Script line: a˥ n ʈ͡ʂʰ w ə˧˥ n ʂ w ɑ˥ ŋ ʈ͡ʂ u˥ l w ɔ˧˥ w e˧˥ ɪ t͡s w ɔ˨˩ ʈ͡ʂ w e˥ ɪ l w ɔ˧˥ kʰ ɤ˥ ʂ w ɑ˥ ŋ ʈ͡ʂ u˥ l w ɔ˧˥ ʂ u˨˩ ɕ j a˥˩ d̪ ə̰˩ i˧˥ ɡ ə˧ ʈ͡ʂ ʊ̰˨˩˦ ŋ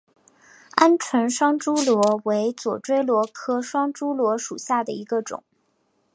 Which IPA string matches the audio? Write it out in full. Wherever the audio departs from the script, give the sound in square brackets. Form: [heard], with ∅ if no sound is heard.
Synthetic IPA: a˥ n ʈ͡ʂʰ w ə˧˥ n ʂ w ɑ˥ ŋ ʈ͡ʂ u˥ l w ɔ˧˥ w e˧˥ ɪ t͡s w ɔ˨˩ ʈ͡ʂ w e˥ ɪ l w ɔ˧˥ kʰ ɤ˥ ʂ w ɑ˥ ŋ ʈ͡ʂ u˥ l w ɔ˧˥ ʂ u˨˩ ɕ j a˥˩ d̪ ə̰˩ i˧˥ ɡ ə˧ ʈ͡ʂ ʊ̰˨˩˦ ŋ